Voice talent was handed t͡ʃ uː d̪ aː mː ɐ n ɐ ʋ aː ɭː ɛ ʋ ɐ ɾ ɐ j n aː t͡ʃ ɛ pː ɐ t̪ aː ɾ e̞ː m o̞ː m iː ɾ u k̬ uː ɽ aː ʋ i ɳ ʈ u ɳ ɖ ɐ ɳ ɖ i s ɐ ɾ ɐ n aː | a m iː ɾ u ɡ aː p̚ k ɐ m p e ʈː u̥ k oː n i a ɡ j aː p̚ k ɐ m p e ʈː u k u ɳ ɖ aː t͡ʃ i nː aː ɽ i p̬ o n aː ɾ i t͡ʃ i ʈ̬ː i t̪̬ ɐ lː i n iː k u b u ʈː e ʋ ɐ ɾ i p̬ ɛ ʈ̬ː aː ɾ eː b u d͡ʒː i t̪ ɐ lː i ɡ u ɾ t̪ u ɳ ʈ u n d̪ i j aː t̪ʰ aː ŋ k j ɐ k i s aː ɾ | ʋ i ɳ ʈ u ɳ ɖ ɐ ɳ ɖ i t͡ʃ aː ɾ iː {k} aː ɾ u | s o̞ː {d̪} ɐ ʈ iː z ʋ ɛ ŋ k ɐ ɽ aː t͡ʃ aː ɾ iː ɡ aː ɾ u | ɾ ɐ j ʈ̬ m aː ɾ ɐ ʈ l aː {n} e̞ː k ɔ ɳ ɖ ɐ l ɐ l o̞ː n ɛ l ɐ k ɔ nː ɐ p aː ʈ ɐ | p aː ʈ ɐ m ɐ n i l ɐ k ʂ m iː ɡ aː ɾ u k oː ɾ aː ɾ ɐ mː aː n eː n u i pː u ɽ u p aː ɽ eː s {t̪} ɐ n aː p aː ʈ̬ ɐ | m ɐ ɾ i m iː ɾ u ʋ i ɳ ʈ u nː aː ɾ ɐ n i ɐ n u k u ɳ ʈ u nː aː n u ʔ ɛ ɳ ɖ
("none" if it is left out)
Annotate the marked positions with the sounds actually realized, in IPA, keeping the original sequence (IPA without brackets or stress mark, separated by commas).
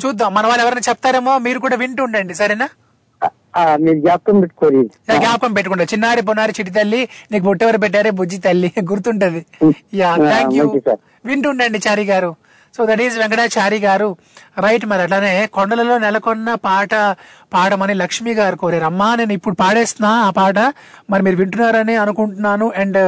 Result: ɡ, d̪, n, t̪